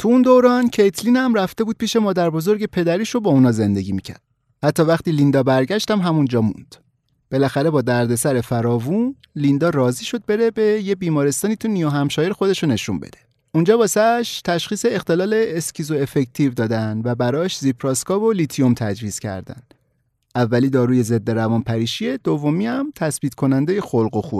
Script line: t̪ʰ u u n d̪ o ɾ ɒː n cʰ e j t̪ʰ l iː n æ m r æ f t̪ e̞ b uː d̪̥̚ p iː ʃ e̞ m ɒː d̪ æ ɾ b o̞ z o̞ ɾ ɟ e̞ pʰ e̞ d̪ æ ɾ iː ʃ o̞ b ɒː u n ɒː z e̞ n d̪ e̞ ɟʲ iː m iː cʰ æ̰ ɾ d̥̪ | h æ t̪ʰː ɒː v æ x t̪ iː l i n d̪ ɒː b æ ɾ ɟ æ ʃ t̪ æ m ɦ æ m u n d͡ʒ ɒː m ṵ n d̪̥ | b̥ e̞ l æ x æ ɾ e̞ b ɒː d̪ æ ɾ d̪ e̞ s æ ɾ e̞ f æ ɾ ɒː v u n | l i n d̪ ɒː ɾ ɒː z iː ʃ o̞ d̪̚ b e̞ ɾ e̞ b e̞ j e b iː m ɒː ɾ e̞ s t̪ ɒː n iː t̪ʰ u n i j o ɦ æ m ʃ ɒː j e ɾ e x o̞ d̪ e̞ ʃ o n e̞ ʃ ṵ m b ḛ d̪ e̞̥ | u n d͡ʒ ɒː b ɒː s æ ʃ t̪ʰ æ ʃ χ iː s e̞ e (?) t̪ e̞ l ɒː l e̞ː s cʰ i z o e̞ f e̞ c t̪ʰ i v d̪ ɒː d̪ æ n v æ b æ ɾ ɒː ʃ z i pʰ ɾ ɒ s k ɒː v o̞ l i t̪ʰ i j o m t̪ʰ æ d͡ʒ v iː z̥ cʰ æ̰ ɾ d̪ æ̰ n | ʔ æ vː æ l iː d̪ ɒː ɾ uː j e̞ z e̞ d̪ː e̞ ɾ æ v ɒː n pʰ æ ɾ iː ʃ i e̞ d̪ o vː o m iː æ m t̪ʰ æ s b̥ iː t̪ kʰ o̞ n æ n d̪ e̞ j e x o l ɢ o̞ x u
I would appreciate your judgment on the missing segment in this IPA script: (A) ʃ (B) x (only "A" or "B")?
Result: B